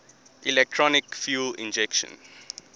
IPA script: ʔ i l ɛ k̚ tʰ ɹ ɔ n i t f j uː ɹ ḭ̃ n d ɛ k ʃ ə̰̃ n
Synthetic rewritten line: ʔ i l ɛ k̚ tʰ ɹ ɔ n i k f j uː l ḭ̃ n d͡ʒ ɛ k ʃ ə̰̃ n